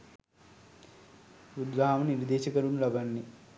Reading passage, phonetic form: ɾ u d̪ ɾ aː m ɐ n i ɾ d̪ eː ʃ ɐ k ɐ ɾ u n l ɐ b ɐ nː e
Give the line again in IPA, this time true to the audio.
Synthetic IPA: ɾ u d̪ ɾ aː m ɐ n i ɾ d̪ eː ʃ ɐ k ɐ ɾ u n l ɐ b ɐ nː i